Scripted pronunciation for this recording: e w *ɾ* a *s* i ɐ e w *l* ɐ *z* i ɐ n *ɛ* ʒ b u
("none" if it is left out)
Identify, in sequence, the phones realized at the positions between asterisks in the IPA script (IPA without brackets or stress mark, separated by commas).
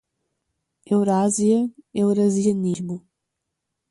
ɾ, z, ɾ, z, i